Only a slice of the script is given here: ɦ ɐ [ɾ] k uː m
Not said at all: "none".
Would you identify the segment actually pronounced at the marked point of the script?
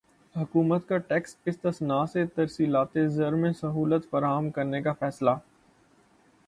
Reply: none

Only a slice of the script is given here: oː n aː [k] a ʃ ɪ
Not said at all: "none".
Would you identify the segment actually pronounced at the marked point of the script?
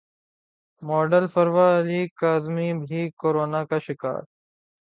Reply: k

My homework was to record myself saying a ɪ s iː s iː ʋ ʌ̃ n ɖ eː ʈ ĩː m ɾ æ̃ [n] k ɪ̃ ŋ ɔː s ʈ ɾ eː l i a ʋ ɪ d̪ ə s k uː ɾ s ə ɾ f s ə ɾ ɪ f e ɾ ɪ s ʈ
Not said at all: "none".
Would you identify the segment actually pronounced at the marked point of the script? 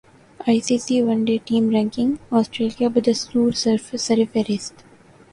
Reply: ŋ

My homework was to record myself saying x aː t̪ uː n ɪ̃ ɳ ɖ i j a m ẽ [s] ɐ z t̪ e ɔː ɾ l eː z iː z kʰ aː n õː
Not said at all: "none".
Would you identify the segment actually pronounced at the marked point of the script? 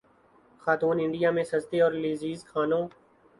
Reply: s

